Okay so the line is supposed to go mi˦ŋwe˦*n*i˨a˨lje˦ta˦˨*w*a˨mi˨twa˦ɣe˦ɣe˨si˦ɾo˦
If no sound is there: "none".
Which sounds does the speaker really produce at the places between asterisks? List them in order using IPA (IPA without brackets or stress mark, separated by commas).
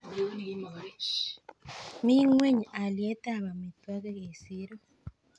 ɲ, β